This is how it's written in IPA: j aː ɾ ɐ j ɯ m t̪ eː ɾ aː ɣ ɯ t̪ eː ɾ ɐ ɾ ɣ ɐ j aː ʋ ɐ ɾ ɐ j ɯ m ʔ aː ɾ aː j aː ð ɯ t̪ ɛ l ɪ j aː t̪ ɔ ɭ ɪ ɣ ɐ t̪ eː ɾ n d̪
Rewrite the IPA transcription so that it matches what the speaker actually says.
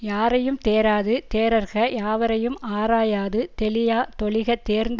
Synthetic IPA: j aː ɾ ɐ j ɯ m t̪ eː ɾ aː ð ɯ t̪ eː ɾ ɐ ɾ ɣ ɐ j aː ʋ ɐ ɾ ɐ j ɯ m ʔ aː ɾ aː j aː ð ɯ t̪ ɛ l ɪ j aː t̪ ɔ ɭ ɪ ɣ ɐ t̪ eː ɾ n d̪